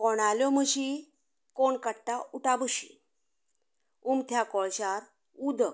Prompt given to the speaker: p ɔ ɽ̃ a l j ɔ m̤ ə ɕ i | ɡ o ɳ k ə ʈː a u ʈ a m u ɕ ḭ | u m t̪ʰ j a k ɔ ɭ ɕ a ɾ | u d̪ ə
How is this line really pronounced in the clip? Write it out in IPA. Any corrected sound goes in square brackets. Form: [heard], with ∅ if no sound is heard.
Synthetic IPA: [k] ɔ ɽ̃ a l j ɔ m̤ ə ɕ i | [k] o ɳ k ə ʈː a u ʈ a [b] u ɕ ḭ | u m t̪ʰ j a k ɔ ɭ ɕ a ɾ | u d̪ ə